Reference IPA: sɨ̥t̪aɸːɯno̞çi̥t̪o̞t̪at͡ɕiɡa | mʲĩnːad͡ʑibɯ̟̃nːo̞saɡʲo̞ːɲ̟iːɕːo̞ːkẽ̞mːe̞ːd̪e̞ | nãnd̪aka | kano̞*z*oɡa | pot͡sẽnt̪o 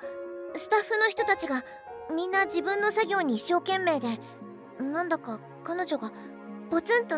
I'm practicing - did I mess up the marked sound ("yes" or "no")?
yes